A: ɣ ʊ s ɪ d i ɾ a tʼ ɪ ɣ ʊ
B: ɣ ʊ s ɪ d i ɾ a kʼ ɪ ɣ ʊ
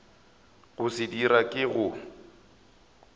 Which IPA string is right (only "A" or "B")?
B